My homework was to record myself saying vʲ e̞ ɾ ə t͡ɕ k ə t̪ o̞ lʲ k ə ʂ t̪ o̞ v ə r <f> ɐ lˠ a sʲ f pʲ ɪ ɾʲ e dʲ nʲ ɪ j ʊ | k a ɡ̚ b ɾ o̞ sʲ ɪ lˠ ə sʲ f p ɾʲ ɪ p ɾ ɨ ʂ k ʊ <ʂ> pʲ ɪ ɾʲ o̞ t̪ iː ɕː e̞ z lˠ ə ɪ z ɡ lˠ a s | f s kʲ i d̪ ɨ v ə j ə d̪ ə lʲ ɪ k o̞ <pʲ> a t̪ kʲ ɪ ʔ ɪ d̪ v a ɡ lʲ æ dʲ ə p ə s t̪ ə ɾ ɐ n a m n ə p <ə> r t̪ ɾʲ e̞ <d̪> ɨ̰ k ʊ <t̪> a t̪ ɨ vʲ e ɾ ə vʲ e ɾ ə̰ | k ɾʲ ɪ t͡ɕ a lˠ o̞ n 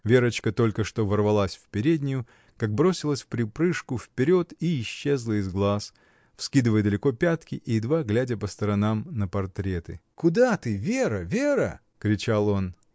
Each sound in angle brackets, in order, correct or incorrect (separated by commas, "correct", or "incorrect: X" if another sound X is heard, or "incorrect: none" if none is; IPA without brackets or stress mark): incorrect: v, incorrect: f, correct, incorrect: ɐ, incorrect: t̪, incorrect: d̪